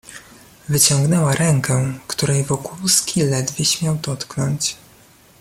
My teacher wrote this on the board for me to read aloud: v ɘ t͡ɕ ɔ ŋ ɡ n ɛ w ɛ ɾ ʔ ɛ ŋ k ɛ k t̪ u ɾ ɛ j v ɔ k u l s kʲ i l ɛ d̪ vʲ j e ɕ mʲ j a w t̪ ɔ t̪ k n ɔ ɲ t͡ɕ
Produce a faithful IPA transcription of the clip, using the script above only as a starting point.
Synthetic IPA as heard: v ɘ t͡ɕ ɔ ŋ ɡ n ɛ w a ɾ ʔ ɛ ŋ k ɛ k t̪ u ɾ ɛ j v ɔ k u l s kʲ i l ɛ d̪ vʲ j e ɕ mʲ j a w d̪ ɔ t̪ k n ɔ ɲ t͡ɕ